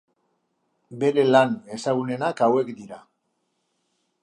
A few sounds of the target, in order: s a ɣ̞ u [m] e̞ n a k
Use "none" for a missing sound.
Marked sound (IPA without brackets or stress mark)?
n